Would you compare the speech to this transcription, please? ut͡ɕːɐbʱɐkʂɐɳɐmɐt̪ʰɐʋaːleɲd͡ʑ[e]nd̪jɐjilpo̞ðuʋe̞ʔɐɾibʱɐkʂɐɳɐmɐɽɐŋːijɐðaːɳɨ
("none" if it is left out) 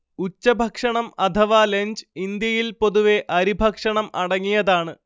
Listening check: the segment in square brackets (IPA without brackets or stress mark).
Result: i